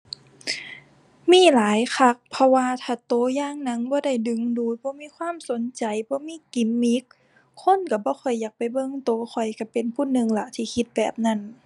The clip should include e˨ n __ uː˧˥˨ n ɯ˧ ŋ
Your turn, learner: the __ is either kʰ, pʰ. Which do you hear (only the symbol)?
pʰ